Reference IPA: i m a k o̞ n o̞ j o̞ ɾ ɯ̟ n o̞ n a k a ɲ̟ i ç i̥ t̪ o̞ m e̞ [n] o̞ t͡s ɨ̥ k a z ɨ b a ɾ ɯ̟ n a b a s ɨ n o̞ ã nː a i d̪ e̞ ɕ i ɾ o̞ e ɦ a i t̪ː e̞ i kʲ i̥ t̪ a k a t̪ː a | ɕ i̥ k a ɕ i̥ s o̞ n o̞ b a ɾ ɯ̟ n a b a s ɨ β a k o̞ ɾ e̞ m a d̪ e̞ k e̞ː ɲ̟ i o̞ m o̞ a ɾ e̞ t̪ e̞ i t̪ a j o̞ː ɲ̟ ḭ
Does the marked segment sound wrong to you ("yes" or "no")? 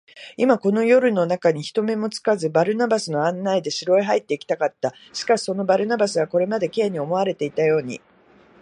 yes